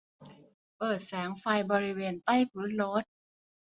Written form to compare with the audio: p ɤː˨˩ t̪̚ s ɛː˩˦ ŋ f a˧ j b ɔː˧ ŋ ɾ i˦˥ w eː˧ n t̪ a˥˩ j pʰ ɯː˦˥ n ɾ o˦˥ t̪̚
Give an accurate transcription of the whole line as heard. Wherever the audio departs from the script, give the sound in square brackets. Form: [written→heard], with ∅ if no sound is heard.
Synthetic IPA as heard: p ɤː˨˩ t̪̚ s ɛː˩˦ ŋ f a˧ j b ɔː˧ [ŋ→∅] ɾ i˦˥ w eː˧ n t̪ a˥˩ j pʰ ɯː˦˥ n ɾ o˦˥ t̪̚